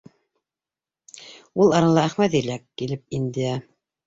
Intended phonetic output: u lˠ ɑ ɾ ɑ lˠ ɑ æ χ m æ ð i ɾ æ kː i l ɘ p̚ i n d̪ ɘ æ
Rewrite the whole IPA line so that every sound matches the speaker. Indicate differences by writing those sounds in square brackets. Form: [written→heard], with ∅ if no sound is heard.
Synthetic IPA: u lˠ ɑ ɾ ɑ lˠ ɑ æ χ m æ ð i [ɾ→l] æ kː i l ɘ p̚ i n d̪ ɘ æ